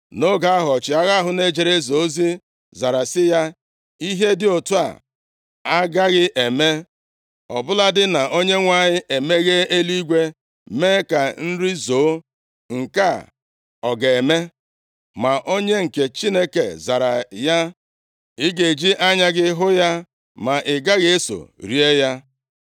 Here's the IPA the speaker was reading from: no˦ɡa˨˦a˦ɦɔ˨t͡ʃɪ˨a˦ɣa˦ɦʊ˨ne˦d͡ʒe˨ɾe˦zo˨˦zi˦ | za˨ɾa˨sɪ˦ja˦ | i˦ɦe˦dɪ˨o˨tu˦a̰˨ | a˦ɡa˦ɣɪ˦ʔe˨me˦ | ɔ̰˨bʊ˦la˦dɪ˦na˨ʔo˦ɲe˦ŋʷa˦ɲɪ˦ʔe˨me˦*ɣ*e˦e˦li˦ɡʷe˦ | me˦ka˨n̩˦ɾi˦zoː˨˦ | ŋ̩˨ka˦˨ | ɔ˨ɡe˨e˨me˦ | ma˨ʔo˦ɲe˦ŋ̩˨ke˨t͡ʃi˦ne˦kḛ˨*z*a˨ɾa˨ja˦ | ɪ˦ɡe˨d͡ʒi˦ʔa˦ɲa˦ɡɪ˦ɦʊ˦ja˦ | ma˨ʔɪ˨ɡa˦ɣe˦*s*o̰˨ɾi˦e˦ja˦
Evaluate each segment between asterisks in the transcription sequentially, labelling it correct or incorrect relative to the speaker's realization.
correct, correct, correct

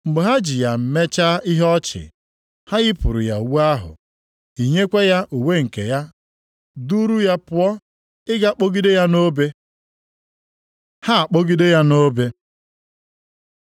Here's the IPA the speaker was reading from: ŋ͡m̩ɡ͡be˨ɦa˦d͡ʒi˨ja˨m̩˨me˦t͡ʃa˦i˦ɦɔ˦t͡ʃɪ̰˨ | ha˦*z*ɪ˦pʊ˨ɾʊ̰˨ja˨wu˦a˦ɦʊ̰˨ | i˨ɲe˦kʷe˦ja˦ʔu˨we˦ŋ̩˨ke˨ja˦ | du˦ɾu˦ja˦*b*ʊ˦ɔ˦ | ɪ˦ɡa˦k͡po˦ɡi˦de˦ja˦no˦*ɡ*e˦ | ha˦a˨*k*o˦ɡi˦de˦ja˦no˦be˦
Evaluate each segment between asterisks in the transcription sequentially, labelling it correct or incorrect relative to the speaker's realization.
incorrect: ɣ, incorrect: p, incorrect: b, incorrect: k͡p

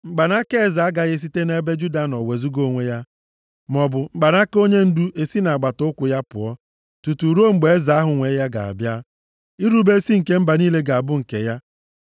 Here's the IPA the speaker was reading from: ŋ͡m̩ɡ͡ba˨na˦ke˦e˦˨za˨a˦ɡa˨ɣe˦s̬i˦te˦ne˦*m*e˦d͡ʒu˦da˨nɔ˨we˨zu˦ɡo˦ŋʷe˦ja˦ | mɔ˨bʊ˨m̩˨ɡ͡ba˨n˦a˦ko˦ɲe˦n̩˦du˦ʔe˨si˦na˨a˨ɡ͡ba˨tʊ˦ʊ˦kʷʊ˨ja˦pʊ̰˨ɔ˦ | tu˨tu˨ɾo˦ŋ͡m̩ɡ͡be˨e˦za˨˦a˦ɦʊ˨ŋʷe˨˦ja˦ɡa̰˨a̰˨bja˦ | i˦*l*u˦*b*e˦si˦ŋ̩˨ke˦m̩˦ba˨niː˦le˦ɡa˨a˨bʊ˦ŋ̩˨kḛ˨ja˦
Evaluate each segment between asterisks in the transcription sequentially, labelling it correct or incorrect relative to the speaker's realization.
incorrect: b, incorrect: ɾ, correct

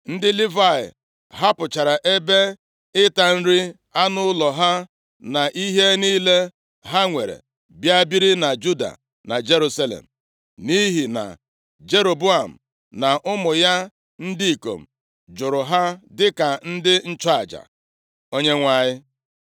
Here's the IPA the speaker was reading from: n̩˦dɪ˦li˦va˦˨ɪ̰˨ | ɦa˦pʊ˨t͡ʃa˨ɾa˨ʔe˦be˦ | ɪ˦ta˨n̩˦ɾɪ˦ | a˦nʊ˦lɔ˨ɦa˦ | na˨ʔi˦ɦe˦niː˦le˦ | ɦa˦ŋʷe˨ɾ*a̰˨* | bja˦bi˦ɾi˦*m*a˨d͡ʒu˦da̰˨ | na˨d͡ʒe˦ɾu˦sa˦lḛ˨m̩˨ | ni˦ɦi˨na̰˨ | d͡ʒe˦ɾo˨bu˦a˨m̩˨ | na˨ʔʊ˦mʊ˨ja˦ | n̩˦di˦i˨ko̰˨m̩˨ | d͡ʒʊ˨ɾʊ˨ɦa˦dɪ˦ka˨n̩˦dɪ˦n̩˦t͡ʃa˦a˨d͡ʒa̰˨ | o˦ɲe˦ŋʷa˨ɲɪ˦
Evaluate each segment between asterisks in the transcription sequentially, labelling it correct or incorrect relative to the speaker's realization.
incorrect: ḛ˨, incorrect: n

